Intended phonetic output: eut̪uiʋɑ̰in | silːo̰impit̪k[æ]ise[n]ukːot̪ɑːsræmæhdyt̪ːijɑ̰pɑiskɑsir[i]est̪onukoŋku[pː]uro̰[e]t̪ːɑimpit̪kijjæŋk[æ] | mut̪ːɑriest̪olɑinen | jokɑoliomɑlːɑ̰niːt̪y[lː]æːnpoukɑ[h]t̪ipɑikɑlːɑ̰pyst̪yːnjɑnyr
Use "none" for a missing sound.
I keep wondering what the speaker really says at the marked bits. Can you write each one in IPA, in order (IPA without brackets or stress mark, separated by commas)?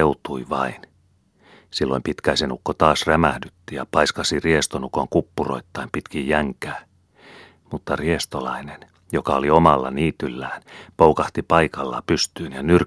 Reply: æ, n, i, pː, i, æː, lː, h